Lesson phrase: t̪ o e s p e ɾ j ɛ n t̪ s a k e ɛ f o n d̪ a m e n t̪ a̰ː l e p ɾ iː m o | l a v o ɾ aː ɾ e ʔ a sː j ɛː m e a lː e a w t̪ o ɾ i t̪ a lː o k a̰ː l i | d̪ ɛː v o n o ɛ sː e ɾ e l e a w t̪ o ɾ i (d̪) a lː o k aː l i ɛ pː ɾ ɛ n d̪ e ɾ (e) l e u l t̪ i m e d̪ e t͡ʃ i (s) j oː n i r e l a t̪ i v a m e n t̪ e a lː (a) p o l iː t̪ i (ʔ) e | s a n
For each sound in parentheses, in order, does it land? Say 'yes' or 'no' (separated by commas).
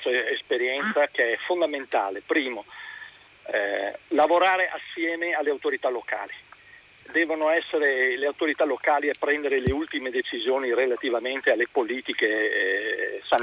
no, yes, no, no, no